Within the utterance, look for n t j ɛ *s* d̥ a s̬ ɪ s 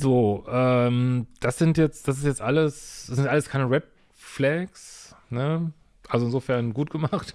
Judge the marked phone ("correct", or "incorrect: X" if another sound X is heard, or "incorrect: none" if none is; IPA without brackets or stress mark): incorrect: t͡s